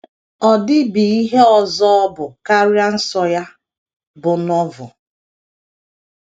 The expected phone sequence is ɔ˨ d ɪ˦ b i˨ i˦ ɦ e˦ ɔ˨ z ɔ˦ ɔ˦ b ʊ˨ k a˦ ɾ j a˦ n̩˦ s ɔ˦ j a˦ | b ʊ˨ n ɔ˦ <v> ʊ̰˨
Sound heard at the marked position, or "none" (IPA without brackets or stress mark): v